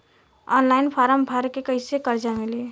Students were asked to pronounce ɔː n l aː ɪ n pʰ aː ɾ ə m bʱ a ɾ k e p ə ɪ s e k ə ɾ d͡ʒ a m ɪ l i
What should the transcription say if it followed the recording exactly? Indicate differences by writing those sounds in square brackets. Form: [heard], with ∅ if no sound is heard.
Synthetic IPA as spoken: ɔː n l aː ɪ n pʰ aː ɾ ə m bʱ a ɾ k e [k] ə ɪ s e k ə ɾ d͡ʒ a m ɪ l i